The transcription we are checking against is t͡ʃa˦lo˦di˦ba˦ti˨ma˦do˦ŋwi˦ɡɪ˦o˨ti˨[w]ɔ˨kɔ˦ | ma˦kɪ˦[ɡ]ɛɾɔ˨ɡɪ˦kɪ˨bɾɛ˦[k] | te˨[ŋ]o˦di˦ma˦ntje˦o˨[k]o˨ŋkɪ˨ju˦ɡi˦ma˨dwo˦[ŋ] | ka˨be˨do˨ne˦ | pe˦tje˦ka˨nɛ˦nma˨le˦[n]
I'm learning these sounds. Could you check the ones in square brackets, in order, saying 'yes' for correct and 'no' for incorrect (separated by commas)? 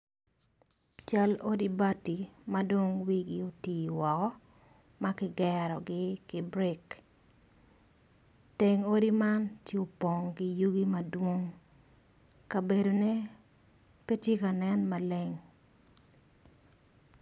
yes, yes, yes, yes, no, yes, no